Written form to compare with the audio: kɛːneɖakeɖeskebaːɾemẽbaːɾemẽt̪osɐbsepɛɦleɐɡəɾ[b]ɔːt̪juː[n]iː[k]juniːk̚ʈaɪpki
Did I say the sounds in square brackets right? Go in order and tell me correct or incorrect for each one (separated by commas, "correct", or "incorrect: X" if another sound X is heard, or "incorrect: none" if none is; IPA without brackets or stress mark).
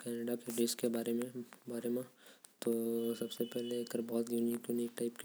correct, correct, correct